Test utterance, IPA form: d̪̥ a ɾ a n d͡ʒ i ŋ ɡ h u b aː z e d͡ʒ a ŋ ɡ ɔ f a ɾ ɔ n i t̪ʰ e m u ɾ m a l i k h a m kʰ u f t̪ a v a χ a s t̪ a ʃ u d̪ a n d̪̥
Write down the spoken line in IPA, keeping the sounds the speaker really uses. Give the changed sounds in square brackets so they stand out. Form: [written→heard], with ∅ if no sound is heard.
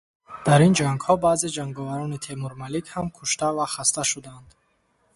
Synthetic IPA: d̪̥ a ɾ [a→i] n d͡ʒ [i→a] ŋ ɡ h [u→ɔ] b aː z e d͡ʒ a ŋ ɡ ɔ [f→v] a ɾ ɔ n i t̪ʰ e m u ɾ m a l i k h a m kʰ u [f→ʃ] t̪ a v a χ a s t̪ a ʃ u d̪ a n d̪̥